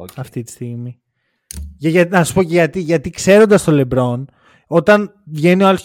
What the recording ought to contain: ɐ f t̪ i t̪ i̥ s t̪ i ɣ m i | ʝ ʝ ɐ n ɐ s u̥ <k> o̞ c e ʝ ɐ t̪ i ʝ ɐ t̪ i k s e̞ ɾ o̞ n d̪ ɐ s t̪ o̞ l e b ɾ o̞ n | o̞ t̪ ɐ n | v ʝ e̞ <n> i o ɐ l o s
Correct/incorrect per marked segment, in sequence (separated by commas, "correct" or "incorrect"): incorrect, correct